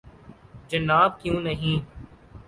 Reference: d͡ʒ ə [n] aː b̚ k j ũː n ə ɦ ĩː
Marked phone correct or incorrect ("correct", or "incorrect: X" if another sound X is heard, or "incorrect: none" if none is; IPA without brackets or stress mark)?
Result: correct